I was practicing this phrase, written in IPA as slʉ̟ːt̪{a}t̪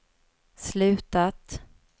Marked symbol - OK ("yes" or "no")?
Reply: yes